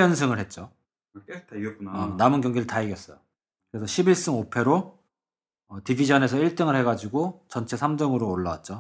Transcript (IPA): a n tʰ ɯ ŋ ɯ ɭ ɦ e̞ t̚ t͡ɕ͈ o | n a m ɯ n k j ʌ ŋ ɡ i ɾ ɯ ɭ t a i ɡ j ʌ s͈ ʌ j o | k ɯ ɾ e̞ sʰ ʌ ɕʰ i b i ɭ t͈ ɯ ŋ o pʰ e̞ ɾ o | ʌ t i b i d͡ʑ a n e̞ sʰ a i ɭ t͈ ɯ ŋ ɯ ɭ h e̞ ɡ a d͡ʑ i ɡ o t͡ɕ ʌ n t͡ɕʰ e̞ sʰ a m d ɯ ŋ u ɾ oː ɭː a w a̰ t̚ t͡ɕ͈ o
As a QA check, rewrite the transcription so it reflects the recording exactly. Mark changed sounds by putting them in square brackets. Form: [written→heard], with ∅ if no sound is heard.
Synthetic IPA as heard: [a→ʌ] n [tʰ→sʰ] ɯ ŋ ɯ ɭ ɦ e̞ t̚ t͡ɕ͈ o | n a m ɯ n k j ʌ ŋ ɡ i ɾ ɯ ɭ t a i ɡ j ʌ s͈ ʌ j o | k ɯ ɾ e̞ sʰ ʌ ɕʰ i b i ɭ [t͈→s͈] ɯ ŋ o pʰ e̞ ɾ o | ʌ t i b i d͡ʑ [a→ʌ] n e̞ sʰ [a→ʌ] i ɭ t͈ ɯ ŋ ɯ ɭ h e̞ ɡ a d͡ʑ i ɡ o t͡ɕ ʌ n t͡ɕʰ e̞ sʰ a m d ɯ ŋ [u→ɯ] ɾ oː ɭː a w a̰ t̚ t͡ɕ͈ o